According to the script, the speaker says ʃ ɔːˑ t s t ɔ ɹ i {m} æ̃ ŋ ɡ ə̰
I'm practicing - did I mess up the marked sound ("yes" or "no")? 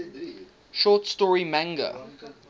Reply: no